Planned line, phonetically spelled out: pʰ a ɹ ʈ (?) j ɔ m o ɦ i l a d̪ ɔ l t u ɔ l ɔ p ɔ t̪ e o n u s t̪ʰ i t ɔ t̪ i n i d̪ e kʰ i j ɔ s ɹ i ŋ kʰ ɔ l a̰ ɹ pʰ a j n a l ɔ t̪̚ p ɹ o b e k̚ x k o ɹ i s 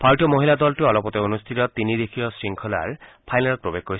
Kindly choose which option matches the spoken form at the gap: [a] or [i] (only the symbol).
i